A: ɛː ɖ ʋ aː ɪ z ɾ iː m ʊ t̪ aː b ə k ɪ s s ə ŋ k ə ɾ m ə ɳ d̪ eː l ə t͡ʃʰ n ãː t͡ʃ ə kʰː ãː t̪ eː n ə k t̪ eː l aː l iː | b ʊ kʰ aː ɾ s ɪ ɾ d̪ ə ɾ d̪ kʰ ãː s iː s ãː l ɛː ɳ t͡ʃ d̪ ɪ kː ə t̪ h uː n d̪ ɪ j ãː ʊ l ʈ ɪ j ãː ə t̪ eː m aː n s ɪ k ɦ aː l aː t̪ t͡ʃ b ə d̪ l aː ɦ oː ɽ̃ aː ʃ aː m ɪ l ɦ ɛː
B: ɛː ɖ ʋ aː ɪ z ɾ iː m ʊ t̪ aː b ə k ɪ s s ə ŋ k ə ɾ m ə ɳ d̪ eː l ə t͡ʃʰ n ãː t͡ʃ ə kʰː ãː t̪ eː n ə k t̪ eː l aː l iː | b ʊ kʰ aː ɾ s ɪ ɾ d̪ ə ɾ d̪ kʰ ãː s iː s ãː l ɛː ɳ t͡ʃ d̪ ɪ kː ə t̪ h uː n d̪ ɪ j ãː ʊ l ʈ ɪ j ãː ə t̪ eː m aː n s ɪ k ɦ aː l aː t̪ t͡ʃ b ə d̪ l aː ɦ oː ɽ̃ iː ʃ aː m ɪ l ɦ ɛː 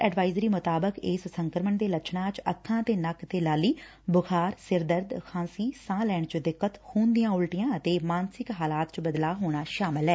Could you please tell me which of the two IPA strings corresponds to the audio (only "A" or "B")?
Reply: A